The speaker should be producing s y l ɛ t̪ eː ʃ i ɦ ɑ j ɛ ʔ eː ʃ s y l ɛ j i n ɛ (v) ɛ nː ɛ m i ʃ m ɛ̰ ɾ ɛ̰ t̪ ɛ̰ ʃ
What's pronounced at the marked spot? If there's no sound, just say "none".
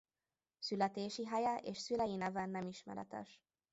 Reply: v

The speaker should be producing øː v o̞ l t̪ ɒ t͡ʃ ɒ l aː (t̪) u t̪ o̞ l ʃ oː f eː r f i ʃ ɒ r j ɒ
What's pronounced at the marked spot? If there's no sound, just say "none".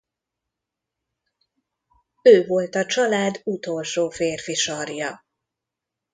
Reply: d̪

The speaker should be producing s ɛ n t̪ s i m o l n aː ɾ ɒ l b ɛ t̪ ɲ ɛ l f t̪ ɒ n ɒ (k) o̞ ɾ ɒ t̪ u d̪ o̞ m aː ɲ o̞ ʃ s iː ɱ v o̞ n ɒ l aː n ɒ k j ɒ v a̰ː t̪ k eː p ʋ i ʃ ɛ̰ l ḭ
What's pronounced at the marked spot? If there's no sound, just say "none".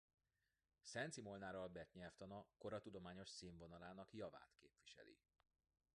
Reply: k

